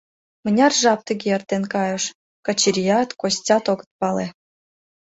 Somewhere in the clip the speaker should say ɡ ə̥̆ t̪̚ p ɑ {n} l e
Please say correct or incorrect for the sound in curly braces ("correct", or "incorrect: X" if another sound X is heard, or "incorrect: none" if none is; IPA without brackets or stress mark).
incorrect: none